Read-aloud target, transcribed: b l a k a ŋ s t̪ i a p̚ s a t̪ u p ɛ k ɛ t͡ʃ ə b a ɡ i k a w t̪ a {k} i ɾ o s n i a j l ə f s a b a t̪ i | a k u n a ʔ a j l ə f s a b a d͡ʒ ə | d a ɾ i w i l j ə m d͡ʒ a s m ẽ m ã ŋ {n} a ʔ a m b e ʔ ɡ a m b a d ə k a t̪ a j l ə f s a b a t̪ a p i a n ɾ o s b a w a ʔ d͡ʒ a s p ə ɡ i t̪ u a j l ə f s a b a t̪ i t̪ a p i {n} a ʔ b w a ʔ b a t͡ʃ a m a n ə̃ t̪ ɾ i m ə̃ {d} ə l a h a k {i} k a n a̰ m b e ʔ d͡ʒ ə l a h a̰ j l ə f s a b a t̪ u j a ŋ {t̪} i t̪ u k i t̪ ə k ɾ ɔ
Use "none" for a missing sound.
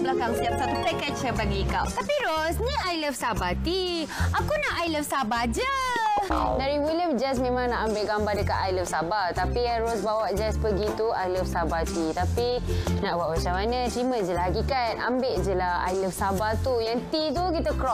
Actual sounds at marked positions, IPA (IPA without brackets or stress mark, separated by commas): p, n, n, d͡ʒ, i, t̪